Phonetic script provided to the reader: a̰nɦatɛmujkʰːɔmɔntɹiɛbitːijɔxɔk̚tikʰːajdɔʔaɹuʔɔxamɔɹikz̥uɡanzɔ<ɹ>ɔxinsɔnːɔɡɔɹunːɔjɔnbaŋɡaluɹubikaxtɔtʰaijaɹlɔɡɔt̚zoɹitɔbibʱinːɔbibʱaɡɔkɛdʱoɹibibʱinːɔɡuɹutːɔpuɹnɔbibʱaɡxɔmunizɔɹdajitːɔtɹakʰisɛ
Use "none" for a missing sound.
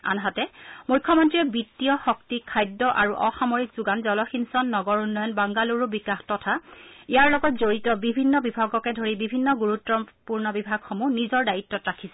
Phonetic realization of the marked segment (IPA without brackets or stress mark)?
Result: l